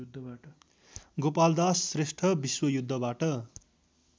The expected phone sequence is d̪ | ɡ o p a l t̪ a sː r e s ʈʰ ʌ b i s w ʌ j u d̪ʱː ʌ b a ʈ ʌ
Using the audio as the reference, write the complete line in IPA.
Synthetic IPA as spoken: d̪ | ɡ o p a l d̪ a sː r e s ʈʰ ʌ b i s w ʌ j u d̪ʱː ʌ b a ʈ ʌ

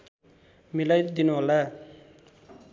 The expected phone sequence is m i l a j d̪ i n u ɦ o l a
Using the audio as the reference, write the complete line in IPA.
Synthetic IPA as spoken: m i l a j d̪ i n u ɦ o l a

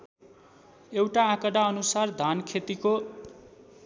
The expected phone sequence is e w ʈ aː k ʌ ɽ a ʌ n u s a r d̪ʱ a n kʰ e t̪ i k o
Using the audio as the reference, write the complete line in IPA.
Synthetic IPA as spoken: e w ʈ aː k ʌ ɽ a ʌ n u s a r d̪ʱ a n kʰ e t̪ i k o

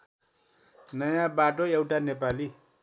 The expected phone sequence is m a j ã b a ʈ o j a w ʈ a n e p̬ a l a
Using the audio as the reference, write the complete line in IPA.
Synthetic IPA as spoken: n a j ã b a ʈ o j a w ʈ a n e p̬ a l i

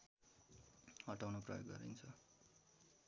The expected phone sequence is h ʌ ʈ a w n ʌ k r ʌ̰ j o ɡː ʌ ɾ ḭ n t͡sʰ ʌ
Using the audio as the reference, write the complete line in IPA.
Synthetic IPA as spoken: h ʌ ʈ a w n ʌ p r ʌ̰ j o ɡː ʌ ɾ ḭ n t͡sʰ ʌ

